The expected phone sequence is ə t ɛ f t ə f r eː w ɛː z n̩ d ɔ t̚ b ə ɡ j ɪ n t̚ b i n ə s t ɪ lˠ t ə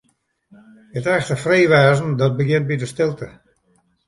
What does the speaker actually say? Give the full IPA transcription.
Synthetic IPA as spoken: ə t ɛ x t ə f r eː ʋ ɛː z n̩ d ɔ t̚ b ə ɡ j ɪ n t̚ b i d ə s t ɪ lˠ t ə